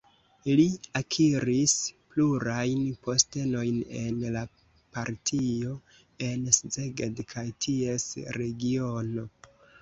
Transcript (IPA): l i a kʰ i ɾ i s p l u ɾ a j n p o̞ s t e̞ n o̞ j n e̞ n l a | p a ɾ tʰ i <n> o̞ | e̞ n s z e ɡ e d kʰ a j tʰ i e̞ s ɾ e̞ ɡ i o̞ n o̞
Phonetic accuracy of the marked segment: incorrect: none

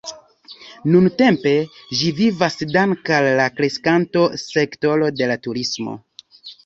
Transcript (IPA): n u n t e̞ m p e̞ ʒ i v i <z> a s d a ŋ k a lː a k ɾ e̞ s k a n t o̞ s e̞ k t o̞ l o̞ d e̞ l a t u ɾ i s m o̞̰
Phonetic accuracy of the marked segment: incorrect: v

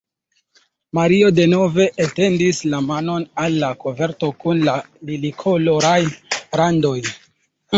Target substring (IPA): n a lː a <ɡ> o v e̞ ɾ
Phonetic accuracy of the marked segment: incorrect: k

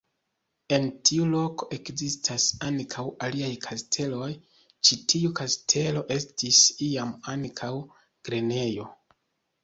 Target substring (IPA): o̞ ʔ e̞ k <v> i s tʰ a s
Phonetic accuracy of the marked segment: incorrect: z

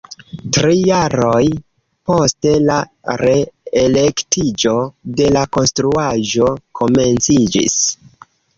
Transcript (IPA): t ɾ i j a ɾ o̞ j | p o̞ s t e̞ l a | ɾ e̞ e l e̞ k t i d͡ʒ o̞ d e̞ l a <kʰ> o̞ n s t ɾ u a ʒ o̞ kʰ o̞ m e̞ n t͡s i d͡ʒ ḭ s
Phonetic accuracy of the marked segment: incorrect: k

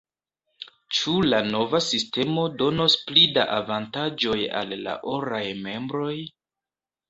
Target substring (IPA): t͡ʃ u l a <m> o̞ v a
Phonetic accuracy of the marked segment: incorrect: n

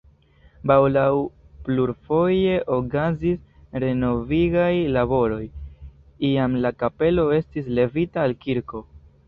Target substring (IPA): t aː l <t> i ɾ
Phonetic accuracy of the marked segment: incorrect: k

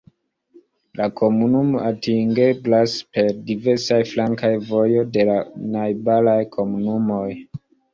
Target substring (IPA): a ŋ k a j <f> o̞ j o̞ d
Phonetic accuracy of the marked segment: incorrect: v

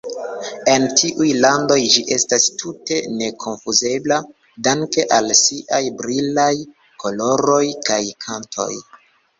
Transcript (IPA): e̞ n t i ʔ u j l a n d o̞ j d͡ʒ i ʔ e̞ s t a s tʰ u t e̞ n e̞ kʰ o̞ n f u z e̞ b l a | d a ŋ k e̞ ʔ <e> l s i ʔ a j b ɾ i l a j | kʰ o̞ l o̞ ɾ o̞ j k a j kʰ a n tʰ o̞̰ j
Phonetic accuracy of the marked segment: incorrect: a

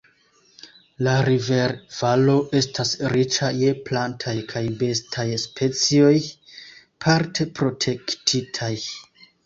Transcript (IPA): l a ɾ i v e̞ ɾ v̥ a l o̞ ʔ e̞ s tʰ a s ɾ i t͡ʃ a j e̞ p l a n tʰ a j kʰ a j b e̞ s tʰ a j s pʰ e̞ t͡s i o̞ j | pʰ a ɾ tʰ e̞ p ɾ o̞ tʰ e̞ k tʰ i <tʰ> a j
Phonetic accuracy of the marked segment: correct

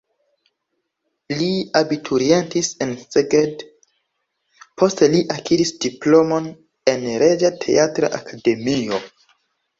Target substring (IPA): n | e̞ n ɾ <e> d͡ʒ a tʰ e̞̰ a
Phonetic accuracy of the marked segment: correct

